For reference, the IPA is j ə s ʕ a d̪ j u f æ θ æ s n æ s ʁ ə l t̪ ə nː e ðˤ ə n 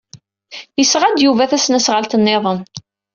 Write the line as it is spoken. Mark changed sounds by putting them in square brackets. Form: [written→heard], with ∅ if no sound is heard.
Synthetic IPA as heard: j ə s [ʕ→ʁ] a d̪ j u [f→v] æ θ æ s n æ s ʁ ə l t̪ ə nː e ðˤ ə n